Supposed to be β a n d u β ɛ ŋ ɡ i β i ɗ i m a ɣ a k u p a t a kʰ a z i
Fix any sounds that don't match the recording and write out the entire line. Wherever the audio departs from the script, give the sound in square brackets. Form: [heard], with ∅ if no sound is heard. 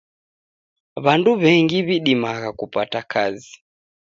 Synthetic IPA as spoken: β a n d u β ɛ ŋ ɡ i β i ɗ i m a ɣ a k u p a t a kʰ a z i